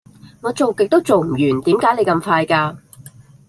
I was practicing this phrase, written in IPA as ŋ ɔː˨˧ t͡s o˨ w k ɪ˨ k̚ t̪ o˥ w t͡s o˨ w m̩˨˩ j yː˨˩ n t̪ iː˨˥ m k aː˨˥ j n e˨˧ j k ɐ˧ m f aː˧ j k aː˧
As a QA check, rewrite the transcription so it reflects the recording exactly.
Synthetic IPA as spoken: ŋ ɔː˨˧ t͡s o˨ w k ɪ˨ k̚ t̪ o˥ w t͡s o˨ w m̩˨˩ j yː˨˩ n t̪ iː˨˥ m k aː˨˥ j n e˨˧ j k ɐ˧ m f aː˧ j k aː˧